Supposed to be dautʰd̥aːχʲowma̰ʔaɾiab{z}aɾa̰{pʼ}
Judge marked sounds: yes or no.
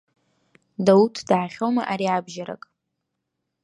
no, no

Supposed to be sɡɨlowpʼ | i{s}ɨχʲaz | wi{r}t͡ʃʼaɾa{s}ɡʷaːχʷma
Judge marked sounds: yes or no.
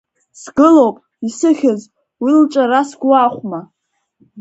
yes, no, yes

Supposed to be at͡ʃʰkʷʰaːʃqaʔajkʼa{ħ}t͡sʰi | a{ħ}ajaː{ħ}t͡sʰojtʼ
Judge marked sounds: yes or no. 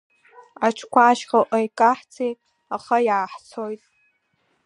yes, no, yes

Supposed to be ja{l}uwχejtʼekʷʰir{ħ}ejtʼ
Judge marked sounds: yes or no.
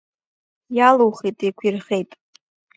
yes, no

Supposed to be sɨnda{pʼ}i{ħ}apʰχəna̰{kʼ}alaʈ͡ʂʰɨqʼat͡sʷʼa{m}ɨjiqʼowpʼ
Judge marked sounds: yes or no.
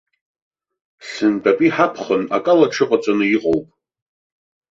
yes, yes, yes, no

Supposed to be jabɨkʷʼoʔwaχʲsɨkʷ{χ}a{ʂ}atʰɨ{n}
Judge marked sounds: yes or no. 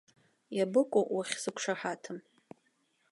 no, no, no

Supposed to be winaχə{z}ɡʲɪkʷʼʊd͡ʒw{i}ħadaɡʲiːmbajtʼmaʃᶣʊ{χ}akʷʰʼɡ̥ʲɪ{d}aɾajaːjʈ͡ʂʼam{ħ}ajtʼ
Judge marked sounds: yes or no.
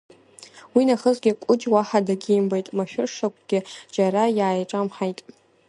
yes, no, no, no, yes

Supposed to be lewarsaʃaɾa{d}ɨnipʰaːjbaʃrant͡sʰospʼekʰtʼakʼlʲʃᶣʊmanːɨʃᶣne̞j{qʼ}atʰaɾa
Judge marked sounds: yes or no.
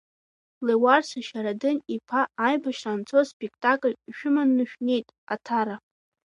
yes, no

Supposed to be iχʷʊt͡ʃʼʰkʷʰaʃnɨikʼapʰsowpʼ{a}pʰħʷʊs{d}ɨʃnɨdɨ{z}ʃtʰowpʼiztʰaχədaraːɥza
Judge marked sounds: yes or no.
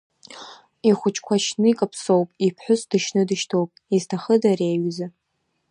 no, yes, no

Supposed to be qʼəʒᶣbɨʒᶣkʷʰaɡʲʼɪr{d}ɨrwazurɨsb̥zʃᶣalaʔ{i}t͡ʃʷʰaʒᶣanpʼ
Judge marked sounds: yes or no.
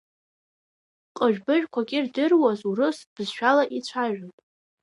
yes, yes

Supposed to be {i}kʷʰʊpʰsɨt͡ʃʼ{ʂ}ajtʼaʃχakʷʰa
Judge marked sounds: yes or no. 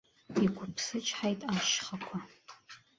yes, no

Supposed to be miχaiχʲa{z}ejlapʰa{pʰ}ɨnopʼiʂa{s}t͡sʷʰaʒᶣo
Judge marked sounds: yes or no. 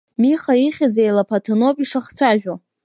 yes, no, no

